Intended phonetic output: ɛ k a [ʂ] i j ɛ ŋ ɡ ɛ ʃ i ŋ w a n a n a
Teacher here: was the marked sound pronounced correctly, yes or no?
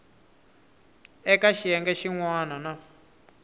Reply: no